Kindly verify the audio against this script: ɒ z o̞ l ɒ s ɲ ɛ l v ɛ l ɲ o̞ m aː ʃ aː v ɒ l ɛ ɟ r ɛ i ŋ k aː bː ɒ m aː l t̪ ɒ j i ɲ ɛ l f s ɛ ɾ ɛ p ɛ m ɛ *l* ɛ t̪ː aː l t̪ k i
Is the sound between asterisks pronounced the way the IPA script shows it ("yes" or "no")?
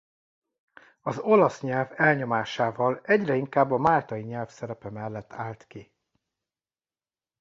no